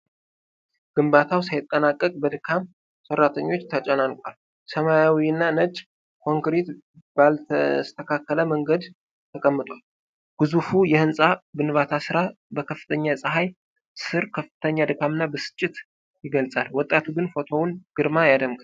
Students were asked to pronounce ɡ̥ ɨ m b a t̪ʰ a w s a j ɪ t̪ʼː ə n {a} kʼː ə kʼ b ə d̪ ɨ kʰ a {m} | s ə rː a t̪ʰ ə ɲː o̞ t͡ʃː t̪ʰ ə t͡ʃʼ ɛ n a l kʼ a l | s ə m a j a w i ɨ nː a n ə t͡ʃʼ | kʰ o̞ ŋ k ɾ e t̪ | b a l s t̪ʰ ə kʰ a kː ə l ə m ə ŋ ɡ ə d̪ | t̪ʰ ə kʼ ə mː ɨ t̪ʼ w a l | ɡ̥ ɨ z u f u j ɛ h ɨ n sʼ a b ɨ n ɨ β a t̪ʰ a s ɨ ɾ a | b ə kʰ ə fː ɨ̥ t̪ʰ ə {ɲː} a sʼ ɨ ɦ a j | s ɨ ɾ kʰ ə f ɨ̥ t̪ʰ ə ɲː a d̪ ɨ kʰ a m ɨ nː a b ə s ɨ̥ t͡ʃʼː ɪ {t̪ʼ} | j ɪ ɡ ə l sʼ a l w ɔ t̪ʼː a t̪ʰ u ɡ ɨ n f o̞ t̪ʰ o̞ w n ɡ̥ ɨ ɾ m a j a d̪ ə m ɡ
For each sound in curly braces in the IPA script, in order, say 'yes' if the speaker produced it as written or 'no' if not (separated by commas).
yes, yes, yes, no